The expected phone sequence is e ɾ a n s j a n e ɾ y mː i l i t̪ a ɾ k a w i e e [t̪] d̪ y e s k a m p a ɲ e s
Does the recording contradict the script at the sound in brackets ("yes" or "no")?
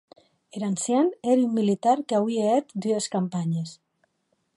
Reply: no